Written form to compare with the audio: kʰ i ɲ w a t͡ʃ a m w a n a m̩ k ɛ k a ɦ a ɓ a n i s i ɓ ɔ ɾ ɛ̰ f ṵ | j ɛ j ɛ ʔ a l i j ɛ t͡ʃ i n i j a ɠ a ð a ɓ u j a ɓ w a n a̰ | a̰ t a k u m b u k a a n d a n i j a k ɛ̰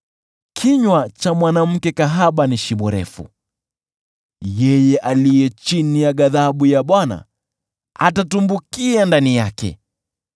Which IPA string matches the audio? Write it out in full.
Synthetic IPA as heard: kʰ i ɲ w a t͡ʃ a m w a n a m̩ k ɛ k a ɦ a ɓ a n i ʃ i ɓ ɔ ɾ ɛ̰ f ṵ | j ɛ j ɛ ʔ a l i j ɛ t͡ʃ i n i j a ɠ a ð a ɓ u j a ɓ w a n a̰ | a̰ t a t u m b u k i a n d a n i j a k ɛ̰